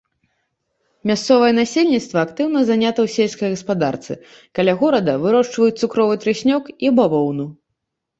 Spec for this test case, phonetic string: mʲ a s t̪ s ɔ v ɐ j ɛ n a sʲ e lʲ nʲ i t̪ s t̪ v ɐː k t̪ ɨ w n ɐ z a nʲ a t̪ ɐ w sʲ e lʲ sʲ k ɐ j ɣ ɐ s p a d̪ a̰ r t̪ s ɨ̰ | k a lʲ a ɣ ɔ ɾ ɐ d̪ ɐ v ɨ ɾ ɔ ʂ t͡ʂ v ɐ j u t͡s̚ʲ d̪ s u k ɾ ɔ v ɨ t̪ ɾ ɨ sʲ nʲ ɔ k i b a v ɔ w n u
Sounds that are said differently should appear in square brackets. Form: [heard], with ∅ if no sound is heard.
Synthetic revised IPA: mʲ a s t̪ s ɔ v ɐ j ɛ n a sʲ e lʲ nʲ i t̪ s t̪ v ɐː k t̪ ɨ w n ɐ z a nʲ a t̪ ɐ w sʲ e lʲ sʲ k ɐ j ɣ ɐ s p a d̪ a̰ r t̪ s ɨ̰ | k a lʲ a ɣ ɔ ɾ ɐ d̪ ɐ v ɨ ɾ ɔ ʂ t͡ʂ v ɐ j u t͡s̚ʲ [t̪] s u k ɾ ɔ v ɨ t̪ ɾ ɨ sʲ nʲ ɔ k i b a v ɔ w n u